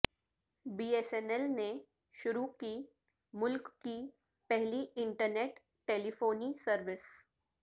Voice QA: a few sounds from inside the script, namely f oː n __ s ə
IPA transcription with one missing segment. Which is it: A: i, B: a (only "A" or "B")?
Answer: A